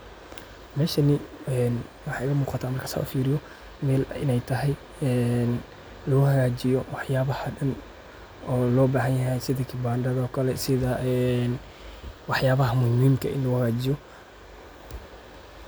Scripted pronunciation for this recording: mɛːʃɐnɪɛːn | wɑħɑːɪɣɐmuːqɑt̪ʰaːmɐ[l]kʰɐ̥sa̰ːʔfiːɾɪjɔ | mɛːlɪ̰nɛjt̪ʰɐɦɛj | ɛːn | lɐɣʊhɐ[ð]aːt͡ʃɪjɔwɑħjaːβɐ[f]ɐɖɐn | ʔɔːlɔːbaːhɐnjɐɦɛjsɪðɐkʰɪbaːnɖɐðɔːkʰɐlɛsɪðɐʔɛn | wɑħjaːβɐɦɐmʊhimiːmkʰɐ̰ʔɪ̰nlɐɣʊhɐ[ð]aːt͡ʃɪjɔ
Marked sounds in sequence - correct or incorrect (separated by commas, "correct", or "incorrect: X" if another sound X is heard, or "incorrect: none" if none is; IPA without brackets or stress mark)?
incorrect: r, incorrect: ɣ, incorrect: h, incorrect: ɣ